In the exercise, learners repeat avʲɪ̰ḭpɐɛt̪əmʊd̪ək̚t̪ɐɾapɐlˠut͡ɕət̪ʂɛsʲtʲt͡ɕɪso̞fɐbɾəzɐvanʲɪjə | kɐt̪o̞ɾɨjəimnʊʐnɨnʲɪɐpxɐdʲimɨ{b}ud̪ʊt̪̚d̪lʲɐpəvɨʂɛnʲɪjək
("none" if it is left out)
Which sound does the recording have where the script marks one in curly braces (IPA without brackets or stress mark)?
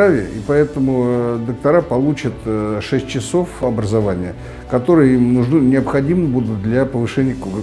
b